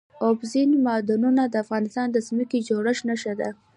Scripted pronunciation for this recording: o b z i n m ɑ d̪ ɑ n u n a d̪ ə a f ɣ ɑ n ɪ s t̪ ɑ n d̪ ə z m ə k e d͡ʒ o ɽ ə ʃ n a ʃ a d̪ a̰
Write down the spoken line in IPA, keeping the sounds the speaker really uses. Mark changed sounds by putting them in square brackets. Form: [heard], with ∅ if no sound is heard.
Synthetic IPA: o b z i n m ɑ d̪ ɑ n u n a d̪ ə a f ɣ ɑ n ɪ s t̪ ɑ n d̪ ə z m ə k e d͡ʒ o ɽ ə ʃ n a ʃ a d̪ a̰